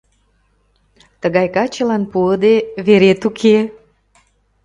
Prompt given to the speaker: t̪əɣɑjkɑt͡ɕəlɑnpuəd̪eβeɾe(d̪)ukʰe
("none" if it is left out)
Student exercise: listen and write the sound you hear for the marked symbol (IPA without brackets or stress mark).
t̪